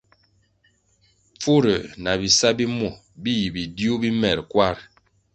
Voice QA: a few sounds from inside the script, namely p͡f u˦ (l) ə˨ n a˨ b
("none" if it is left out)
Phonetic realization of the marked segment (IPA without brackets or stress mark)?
ɾ